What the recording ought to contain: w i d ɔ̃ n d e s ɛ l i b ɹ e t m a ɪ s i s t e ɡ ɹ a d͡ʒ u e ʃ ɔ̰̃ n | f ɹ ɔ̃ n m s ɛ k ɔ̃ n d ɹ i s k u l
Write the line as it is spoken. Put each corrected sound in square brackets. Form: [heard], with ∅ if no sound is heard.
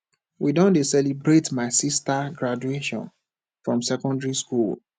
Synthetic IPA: w i d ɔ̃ n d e s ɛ l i b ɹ e t m a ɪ s i s t [a] ɡ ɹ a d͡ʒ u e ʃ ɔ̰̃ n | f ɹ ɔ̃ [∅] m s ɛ k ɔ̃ n d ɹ i s k u l